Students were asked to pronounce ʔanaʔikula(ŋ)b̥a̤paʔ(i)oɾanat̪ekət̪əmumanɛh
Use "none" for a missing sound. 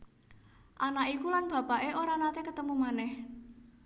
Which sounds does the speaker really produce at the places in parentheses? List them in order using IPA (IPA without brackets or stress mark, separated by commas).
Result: n, e